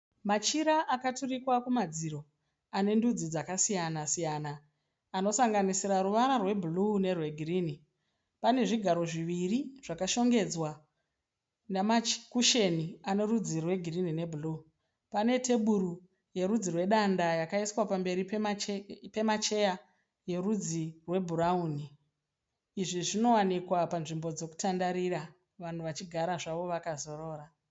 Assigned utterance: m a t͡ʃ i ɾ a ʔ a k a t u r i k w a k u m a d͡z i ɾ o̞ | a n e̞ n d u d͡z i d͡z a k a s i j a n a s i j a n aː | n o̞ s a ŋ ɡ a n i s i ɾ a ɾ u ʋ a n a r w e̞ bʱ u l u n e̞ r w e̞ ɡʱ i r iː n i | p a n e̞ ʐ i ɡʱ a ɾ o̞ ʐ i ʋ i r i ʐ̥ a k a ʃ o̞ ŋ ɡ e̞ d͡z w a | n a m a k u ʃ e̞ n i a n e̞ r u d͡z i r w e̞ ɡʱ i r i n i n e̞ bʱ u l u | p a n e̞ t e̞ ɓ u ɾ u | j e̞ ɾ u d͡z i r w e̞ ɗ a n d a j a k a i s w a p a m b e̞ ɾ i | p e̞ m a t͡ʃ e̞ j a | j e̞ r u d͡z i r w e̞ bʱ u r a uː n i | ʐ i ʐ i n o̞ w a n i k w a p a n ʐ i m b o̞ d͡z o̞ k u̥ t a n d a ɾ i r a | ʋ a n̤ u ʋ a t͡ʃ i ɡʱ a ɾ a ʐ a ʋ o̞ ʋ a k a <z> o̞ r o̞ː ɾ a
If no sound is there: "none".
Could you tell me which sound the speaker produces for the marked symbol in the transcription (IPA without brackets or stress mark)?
z